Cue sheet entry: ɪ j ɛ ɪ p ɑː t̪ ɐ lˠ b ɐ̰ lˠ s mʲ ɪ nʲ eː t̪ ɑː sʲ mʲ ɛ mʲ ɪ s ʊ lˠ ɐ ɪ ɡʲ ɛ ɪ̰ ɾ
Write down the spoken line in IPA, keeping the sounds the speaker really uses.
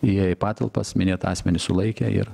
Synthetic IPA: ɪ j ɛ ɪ p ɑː t̪ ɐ lˠ p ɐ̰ s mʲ ɪ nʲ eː t̪ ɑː sʲ mʲ ɛ nʲ ɪ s ʊ lˠ ɐ ɪ kʲ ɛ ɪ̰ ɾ